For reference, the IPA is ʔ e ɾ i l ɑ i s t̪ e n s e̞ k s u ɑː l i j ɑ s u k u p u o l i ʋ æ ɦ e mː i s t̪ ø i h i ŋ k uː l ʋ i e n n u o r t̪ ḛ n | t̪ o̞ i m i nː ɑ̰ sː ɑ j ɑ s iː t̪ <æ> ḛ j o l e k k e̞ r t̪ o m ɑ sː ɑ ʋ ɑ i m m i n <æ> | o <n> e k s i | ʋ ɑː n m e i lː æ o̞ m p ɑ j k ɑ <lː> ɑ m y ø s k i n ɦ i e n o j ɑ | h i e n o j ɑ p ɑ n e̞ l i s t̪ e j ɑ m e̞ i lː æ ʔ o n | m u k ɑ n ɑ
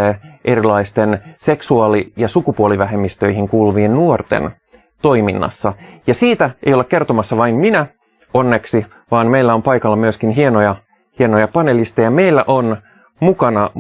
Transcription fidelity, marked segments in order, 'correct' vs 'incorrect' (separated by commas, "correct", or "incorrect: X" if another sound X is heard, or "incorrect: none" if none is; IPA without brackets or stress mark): correct, correct, incorrect: nː, correct